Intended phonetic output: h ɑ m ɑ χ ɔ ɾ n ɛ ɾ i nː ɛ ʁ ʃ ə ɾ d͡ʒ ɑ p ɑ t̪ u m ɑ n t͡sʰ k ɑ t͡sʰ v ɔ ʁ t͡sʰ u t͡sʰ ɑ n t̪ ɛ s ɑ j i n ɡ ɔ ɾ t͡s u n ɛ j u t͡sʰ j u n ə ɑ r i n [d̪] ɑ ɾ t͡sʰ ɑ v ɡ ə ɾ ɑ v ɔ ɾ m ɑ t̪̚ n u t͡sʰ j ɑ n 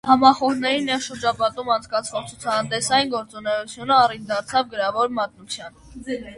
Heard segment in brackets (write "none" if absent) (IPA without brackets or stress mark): d̪